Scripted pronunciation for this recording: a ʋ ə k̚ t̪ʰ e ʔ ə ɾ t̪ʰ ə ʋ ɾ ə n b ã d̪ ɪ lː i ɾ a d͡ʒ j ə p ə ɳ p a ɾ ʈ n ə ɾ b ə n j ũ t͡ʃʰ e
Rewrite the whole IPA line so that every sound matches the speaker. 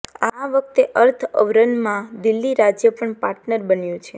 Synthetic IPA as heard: a ʋ ə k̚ t̪ e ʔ ə ɾ t̪ʰ ə ʋ ɾ ə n m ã d̪ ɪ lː i ɾ a d͡ʒ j ə p ə ɳ p a ɾ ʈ n ə ɾ b ə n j ũ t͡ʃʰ e

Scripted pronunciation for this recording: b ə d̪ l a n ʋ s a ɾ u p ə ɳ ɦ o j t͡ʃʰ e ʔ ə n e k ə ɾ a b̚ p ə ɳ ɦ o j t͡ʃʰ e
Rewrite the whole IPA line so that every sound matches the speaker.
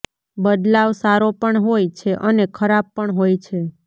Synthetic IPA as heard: b ə d̪ l a ʋ s a ɾ o p ə ɳ ɦ o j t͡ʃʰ e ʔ ə n e kʰ ə ɾ a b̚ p ə ɳ ɦ o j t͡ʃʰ e

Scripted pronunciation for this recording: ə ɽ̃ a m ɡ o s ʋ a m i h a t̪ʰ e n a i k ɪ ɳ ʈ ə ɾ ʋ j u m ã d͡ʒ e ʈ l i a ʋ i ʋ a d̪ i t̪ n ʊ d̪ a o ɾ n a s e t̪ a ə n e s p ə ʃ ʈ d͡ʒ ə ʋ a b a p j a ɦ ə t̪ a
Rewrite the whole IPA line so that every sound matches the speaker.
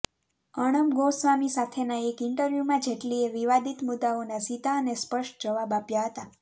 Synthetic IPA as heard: ə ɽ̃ ə m ɡ o s ʋ a m i s a t̪ʰ e n a e k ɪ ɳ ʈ ə ɾ ʋ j u m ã d͡ʒ e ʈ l i e ʋ i ʋ a d̪ i t̪ m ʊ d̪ a o n a s i t̪ a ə n e s p ə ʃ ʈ d͡ʒ ə ʋ a b a p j a ɦ ə t̪ a

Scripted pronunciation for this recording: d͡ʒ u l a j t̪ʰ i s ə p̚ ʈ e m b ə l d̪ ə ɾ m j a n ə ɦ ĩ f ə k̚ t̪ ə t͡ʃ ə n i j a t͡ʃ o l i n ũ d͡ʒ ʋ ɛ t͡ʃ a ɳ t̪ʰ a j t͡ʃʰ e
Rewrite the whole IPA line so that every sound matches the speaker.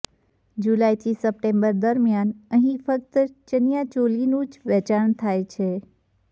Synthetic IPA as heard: d͡ʒ u l a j t̪ʰ i s ə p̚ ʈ e m b ə ɾ d̪ ə ɾ m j a n ə ɦ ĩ f ə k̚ t̪ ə t͡ʃ ə n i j a t͡ʃ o l i n ũ d͡ʒ ʋ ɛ t͡ʃ a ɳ t̪ʰ a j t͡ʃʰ e

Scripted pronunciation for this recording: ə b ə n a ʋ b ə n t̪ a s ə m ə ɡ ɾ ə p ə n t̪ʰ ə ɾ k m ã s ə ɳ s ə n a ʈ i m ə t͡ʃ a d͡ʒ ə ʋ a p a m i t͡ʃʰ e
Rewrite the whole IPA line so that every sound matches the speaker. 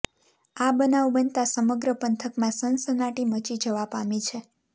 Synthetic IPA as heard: a b ə n a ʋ b ə n t̪ a s ə m ə ɡ ɾ ə p ə n t̪ʰ ə k m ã s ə n s ə n a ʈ i m ə t͡ʃ i d͡ʒ ə ʋ a p a m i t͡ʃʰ e

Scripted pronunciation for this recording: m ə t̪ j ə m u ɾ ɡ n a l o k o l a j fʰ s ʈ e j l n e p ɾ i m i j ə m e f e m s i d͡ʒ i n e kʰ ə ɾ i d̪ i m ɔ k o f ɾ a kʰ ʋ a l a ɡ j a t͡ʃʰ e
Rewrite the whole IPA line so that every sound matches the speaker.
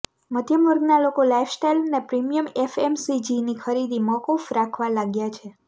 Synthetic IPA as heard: m ə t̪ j ə m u ɾ ɡ n a l o k o l a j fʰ s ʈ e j l n e p ɾ i m i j ə m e f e m s i d͡ʒ i n i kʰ ə ɾ i d̪ i m ɔ k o f ɾ a kʰ ʋ a l a ɡ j a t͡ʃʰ e

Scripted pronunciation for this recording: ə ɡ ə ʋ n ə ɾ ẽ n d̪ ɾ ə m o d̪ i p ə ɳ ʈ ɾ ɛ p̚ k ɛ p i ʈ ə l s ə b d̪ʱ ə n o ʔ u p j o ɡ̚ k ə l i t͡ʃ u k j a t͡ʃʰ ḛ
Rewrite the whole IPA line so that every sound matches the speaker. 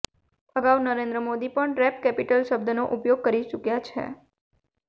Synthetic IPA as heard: ə ɡ a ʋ n ə ɾ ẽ n d̪ ɾ ə m o d̪ i p ə ɳ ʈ ɾ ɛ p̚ k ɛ p i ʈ ə l ʃ ə b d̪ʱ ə n o ʔ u p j o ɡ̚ k ə ɾ i t͡ʃ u k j a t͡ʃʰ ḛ

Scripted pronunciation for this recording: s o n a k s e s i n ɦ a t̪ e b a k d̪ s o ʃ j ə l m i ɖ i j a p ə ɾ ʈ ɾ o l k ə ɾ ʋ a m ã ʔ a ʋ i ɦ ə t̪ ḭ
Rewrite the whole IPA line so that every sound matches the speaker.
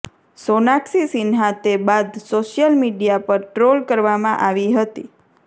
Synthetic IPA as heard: s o n a k s i s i n ɦ a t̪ e b a d̪ s o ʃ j ə l m i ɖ i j a p ə ɾ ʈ ɾ o l k ə ɾ ʋ a m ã ʔ a ʋ i ɦ ə t̪ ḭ

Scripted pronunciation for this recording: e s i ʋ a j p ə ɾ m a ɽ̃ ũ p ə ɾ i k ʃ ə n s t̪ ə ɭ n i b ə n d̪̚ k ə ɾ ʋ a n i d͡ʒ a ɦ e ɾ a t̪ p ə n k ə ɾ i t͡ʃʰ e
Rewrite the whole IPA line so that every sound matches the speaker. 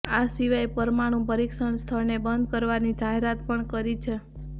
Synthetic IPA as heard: a s i ʋ a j p ə ɾ m a ɽ̃ ũ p ə ɾ i k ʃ ə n s t̪ʰ ə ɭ n e b ə n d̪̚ k ə ɾ ʋ a n i d͡ʒ a ɦ e ɾ a t̪ p ə ɳ k ə ɾ i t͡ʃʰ e

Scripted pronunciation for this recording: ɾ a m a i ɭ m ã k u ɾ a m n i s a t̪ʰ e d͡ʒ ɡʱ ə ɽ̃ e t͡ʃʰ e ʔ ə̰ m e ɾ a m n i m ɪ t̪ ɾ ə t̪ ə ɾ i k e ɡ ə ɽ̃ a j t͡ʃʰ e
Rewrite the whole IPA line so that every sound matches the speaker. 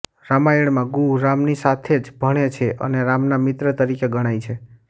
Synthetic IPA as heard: ɾ a m a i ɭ m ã ɡ u ɾ a m n i s a t̪ʰ e d͡ʒ bʱ ə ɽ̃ e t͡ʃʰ e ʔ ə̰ n e ɾ a m n a m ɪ t̪ ɾ ə t̪ ə ɾ i k e ɡ ə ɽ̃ a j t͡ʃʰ e

